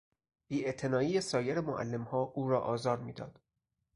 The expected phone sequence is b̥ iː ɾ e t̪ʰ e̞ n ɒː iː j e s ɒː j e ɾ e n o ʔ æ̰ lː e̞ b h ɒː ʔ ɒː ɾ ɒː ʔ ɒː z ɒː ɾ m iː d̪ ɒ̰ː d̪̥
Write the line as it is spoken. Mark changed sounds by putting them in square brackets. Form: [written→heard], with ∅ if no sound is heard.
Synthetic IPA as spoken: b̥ iː [ɾ→∅] e t̪ʰ e̞ n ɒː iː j e s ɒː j e ɾ e [n→m] o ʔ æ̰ lː e̞ [b→m] h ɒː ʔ [ɒː→uː] ɾ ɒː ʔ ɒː z ɒː ɾ m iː d̪ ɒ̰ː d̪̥